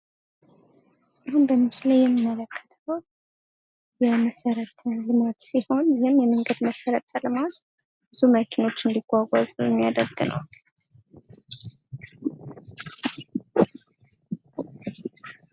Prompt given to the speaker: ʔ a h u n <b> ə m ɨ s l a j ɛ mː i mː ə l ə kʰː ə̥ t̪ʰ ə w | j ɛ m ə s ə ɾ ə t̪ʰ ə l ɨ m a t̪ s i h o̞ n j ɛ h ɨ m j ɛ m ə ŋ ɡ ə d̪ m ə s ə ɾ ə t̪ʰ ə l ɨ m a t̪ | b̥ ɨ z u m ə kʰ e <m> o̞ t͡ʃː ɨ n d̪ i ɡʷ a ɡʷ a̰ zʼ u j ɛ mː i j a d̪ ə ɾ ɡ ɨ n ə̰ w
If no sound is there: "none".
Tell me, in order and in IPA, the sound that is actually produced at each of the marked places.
b, n

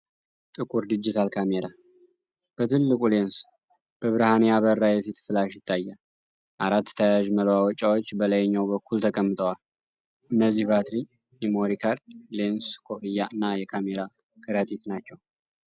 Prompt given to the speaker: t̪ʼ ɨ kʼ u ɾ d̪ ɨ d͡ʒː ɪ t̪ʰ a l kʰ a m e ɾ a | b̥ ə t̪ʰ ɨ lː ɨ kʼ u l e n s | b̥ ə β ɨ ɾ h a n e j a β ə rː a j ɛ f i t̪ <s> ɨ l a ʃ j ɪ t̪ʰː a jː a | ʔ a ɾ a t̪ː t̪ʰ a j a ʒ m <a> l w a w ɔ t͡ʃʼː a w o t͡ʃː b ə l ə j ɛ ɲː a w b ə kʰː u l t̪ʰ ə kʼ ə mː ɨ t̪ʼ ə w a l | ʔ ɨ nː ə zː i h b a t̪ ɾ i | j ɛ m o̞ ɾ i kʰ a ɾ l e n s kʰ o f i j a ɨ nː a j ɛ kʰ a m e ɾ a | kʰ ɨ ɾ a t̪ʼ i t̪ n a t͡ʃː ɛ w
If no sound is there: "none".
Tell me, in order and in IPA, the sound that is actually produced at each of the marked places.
f, ə

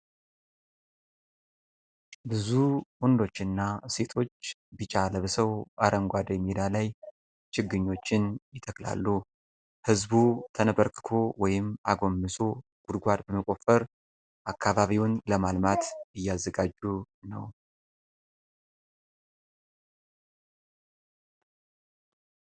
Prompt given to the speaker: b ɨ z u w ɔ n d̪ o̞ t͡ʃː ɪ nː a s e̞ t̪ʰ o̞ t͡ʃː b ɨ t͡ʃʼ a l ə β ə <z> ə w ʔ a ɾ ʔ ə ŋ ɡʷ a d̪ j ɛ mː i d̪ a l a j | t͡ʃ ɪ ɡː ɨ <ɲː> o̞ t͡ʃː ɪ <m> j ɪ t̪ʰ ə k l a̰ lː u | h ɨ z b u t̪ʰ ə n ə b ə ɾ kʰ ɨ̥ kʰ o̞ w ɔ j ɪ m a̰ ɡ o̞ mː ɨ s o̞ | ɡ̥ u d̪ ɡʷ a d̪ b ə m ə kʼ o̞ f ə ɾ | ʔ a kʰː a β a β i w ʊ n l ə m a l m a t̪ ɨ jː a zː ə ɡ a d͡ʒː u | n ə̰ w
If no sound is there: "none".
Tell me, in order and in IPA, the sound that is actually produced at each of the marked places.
s, ɲː, n

